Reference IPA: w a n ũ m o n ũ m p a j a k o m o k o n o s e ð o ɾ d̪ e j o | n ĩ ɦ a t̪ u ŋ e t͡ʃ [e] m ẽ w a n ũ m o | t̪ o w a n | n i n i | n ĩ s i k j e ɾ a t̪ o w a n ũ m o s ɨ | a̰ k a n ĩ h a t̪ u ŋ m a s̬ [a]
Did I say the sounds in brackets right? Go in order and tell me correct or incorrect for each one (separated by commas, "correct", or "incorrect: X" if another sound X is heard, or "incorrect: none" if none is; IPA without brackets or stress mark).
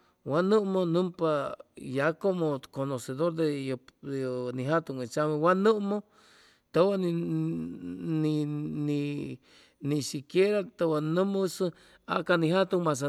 incorrect: a, correct